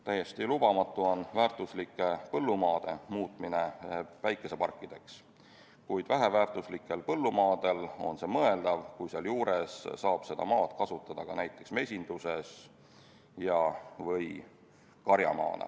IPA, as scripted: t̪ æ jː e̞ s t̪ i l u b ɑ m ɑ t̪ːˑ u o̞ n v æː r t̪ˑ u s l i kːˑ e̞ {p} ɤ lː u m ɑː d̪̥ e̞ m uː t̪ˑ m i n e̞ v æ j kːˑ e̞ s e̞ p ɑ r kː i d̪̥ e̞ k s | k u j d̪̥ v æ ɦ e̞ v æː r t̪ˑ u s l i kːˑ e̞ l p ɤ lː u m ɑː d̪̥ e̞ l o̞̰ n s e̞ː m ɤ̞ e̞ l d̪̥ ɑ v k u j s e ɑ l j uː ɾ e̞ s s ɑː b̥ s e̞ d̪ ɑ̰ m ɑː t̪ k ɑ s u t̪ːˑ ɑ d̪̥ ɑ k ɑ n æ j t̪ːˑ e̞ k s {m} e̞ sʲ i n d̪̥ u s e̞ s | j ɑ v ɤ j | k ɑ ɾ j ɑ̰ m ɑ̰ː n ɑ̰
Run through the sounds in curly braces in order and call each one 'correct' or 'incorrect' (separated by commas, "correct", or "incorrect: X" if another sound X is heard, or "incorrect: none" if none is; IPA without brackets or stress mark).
correct, correct